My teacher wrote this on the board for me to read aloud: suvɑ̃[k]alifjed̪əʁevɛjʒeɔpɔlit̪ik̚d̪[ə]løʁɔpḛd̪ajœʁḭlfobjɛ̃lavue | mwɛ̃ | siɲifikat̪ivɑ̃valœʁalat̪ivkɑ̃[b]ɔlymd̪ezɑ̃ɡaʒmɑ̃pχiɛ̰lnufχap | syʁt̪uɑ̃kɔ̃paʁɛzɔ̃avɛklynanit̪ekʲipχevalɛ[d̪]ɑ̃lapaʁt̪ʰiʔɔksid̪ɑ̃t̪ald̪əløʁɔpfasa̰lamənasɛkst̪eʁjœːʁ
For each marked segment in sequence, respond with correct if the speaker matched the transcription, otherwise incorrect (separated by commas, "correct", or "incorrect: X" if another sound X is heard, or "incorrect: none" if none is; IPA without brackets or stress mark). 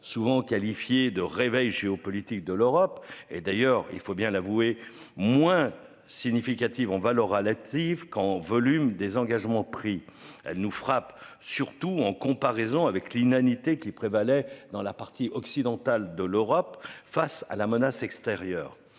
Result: correct, correct, incorrect: v, correct